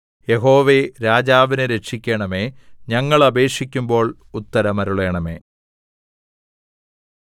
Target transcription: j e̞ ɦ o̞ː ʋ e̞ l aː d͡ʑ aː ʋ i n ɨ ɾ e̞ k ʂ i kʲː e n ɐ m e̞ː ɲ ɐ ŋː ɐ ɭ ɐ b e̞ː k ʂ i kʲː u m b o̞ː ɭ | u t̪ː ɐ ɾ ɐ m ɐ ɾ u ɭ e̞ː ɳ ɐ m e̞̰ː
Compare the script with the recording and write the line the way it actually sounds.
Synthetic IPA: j e̞ ɦ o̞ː ʋ e̞ ɾ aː d͡ʑ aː ʋ i n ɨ ɾ e̞ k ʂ i kʲː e ɳ ɐ m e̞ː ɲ ɐ ŋː ɐ ɭ ɐ b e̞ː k ʂ i kʲː u m b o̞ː ɭ | u t̪ː ɐ ɾ ɐ m ɐ ɾ u ɭ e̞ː ɳ ɐ m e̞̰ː